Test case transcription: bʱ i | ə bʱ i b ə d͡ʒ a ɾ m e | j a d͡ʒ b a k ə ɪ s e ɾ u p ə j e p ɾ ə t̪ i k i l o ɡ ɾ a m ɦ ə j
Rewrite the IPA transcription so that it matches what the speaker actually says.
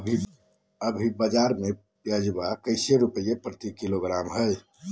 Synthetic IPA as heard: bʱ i | ə bʱ i b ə d͡ʒ a ɾ m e | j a d͡ʒ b a k ə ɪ s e ɾ u p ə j e p ɾ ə t̪ i k i l o ɡ ɾ a m ɦ ə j